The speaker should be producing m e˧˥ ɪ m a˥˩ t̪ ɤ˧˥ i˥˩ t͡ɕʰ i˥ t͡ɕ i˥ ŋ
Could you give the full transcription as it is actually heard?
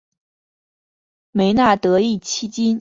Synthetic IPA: m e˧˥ ɪ n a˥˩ t̪ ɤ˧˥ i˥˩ t͡ɕʰ i˥ t͡ɕ i˥ n